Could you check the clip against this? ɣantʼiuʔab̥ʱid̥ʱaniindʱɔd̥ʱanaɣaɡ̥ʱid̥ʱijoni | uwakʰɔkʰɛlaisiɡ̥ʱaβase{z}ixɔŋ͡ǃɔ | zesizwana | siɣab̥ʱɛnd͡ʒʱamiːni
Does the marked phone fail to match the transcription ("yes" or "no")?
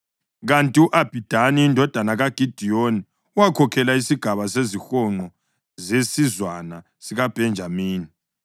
no